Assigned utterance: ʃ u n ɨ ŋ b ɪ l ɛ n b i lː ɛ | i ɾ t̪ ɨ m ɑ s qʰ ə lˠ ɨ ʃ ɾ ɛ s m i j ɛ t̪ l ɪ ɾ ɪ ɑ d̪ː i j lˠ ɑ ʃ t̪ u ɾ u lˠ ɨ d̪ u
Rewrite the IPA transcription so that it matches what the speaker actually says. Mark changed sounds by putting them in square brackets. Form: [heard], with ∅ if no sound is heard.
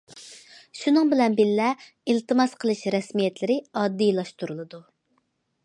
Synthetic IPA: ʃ u n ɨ ŋ b ɪ l ɛ n b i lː ɛ | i [l] t̪ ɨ m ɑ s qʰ ə lˠ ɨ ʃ ɾ ɛ s m i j ɛ t̪ l ɪ ɾ ɪ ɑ d̪ː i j lˠ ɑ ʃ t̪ u ɾ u lˠ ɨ d̪ u

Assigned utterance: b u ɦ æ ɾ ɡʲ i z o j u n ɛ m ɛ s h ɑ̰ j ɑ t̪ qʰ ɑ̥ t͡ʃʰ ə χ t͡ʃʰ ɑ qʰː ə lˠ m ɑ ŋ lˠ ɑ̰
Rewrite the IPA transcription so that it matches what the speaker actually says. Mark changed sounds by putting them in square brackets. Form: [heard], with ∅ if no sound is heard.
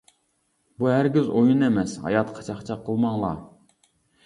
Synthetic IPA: b u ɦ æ ɾ ɡʲ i z o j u n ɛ m ɛ s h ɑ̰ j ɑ t̪ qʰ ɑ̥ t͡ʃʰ [ɑ] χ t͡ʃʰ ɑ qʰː ə lˠ m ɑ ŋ lˠ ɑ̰

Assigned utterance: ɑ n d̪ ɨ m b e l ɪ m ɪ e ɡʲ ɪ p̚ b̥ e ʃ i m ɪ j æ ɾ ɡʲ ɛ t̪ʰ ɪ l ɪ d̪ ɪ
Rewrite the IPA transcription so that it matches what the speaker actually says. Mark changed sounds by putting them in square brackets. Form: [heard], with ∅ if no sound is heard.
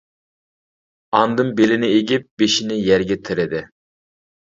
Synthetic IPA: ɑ n d̪ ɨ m b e l ɪ [n] ɪ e ɡʲ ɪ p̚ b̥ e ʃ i [n] ɪ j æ ɾ ɡʲ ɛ t̪ʰ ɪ [ɾ] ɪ d̪ ɪ

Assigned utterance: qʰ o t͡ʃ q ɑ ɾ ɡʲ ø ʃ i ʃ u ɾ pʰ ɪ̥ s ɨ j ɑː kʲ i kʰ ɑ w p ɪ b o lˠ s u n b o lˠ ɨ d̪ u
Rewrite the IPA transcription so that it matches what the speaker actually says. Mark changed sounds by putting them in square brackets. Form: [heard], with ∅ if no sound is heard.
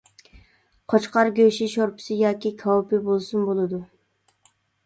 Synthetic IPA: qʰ o t͡ʃ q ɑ ɾ ɡʲ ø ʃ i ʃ [o] ɾ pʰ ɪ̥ s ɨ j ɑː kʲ i kʰ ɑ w p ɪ b o lˠ s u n b o lˠ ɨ d̪ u

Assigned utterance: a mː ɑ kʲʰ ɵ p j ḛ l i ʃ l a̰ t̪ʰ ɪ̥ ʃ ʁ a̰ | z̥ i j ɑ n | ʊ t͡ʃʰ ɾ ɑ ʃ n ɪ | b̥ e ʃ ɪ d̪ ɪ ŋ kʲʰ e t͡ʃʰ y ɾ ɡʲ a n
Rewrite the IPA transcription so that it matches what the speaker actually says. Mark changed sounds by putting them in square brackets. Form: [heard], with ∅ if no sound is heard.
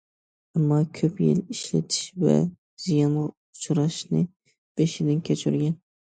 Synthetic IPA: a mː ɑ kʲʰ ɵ p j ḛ l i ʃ l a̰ t̪ʰ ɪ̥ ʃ [v] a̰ | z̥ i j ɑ n | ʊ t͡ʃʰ ɾ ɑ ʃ n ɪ | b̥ e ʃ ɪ d̪ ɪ [n] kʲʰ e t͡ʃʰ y ɾ ɡʲ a n

